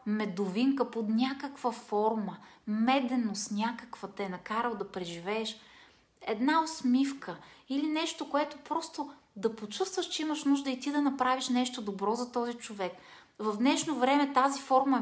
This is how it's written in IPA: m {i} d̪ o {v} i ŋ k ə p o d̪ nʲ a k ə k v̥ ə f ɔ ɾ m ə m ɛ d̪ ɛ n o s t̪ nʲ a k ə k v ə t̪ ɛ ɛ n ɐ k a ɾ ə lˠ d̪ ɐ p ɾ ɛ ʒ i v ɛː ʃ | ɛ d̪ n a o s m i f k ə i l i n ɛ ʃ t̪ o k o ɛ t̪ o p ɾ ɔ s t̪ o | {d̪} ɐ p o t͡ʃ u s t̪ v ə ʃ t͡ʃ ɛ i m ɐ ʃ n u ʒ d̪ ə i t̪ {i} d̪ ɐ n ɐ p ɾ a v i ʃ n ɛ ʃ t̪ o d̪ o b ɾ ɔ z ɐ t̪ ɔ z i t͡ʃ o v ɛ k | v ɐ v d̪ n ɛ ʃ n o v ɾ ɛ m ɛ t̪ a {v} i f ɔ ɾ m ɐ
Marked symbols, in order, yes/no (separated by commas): no, yes, yes, yes, no